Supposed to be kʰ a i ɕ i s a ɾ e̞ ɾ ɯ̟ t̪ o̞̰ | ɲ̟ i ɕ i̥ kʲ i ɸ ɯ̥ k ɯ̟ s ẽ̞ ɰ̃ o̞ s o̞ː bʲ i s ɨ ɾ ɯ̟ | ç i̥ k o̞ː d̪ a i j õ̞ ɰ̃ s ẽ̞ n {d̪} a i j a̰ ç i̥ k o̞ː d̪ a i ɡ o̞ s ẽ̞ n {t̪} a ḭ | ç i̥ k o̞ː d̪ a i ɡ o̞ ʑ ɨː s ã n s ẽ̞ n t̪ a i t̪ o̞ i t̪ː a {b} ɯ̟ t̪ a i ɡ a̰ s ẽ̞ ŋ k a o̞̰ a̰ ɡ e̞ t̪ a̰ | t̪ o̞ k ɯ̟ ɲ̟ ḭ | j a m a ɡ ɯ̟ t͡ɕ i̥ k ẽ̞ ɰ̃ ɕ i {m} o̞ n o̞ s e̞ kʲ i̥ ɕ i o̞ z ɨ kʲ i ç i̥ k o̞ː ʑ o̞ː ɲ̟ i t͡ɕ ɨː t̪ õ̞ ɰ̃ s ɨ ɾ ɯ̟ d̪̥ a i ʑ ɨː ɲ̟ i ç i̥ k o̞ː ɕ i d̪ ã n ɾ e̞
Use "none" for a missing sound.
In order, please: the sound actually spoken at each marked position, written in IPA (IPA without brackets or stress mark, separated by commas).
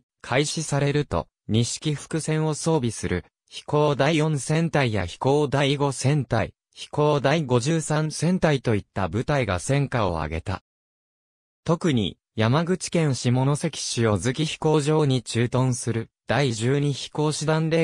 t̪, t̪, b, m